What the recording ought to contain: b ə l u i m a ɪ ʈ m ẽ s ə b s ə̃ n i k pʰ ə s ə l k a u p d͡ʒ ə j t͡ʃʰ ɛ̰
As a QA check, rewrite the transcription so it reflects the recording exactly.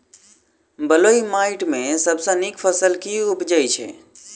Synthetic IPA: b ə l o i m a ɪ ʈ m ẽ s ə b s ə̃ n i k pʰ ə s ə l k i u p d͡ʒ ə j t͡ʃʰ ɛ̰

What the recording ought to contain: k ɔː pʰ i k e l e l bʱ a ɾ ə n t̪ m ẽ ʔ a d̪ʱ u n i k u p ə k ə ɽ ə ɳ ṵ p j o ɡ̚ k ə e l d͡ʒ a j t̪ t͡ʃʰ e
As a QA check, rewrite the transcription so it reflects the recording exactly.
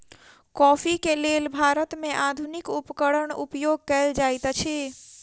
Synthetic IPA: k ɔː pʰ i k e l e l bʱ a ɾ ə t̪ m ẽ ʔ a d̪ʱ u n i k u p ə k ə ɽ ə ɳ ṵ p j o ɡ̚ k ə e l d͡ʒ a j t̪ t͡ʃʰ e

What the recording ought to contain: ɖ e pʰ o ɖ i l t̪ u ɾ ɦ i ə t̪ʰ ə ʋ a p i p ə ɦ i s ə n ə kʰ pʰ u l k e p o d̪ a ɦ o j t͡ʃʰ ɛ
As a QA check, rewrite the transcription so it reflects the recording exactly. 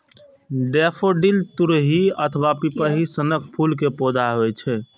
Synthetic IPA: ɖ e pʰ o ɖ i l t̪ u ɾ ɦ i ə t̪ʰ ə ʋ a p i p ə ɦ i s ə n ə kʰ pʰ u l k e p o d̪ a ɦ o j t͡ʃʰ ɛ

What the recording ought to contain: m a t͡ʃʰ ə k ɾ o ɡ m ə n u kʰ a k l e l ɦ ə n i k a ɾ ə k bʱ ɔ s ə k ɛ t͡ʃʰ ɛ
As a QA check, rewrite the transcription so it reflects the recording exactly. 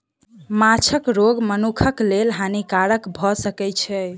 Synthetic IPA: m a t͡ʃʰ ə k ɾ o ɡ m ə n u kʰ ə k l e l ɦ a n i k a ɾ ə k bʱ ɔ s ə k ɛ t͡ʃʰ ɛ

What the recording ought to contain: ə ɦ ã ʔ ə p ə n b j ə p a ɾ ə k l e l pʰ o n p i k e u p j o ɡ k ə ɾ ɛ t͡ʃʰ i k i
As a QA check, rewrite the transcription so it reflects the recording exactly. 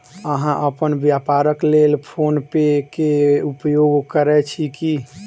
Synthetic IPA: ə ɦ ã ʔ ə p ə n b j a p a ɾ ə k l e l pʰ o n p e k e u p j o ɡ k ə ɾ ɛ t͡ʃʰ i k i

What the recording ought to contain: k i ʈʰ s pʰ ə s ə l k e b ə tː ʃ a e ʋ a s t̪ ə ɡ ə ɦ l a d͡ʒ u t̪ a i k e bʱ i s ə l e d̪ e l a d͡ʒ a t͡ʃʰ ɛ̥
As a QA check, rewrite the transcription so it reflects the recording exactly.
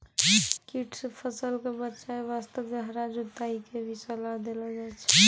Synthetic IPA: k i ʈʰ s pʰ ə s ə l k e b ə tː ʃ a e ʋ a s t̪ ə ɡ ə ɦ ɾ a d͡ʒ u t̪ a i k e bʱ i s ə l a d̪ e l a d͡ʒ a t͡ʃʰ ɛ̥

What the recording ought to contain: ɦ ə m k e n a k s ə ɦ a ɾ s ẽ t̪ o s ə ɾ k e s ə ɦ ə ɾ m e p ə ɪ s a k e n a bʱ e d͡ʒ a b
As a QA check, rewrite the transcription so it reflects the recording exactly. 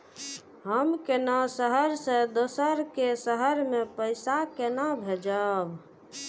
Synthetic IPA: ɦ ə m k e n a s ə ɦ ə ɾ s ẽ d̪ o s ə ɾ k e s ə ɦ ə ɾ m e p ə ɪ s a k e n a bʱ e d͡ʒ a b

